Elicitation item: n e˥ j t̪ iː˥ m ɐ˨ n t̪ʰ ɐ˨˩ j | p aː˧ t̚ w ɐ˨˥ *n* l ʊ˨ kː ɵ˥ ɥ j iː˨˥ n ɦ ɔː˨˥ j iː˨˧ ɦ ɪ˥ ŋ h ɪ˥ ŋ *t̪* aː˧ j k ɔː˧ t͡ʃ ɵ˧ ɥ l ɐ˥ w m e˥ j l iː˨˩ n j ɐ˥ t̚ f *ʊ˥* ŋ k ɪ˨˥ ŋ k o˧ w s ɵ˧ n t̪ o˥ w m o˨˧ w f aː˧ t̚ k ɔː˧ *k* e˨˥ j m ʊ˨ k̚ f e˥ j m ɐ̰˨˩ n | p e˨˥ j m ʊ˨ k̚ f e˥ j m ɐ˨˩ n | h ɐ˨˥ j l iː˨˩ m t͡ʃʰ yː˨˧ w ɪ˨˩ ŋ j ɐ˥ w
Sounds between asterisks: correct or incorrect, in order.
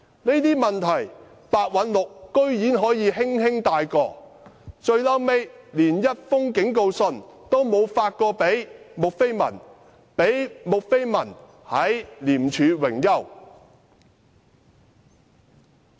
correct, correct, correct, incorrect

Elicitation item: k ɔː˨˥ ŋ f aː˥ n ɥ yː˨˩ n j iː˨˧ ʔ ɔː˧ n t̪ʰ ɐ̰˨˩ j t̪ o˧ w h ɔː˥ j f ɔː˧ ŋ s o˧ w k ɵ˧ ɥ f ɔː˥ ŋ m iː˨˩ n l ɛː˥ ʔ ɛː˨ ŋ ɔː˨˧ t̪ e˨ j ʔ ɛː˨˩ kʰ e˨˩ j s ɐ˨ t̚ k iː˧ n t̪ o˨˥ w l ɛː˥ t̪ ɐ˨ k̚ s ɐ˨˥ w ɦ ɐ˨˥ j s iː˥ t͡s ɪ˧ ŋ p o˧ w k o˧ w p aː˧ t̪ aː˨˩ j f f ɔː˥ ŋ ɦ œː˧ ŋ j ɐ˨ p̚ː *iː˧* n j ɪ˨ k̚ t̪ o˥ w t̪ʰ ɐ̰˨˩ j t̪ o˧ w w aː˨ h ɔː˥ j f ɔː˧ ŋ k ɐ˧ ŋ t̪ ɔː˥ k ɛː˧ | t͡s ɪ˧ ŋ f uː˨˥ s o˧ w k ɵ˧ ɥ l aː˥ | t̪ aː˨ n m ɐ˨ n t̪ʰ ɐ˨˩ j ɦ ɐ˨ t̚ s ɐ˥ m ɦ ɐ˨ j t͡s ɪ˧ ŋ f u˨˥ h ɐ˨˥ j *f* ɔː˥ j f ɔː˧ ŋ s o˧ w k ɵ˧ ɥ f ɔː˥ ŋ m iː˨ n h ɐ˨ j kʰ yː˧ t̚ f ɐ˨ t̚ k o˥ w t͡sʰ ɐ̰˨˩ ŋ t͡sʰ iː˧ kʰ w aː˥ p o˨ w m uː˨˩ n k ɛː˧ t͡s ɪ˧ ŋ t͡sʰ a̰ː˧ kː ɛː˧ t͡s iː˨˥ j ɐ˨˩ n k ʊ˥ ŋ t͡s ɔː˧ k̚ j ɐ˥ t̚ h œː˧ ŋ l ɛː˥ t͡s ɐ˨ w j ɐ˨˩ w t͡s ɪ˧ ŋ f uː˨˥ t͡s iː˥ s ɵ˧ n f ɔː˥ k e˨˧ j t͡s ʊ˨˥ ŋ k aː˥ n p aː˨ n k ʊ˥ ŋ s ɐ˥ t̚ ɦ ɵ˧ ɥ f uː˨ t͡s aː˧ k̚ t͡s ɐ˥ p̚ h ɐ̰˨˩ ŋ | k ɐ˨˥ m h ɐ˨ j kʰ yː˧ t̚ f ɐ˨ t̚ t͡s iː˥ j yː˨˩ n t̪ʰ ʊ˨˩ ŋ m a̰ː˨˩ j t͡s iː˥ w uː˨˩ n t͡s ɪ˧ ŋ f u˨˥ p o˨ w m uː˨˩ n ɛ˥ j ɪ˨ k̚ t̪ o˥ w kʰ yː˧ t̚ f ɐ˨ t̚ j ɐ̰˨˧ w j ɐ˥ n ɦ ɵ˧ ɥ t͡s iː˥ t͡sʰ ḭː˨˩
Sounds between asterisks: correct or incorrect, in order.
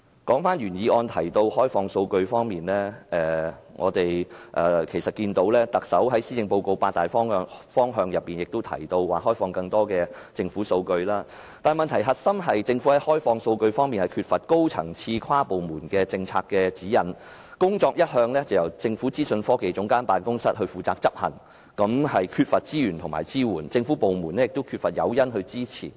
incorrect, incorrect

